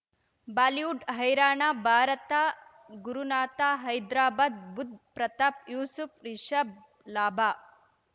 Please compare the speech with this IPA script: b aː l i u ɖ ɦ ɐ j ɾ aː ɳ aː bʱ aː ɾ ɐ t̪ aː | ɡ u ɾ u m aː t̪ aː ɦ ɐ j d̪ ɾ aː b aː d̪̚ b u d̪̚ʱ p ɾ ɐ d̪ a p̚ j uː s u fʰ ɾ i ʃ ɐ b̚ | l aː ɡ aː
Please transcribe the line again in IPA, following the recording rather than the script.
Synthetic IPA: b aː l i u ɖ ɦ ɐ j ɾ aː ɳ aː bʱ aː ɾ ɐ t̪ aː | ɡ u ɾ u n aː t̪ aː ɦ ɐ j d̪ ɾ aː b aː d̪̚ b u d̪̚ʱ p ɾ ɐ t̪ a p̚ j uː s u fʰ ɾ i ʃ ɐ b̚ | l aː b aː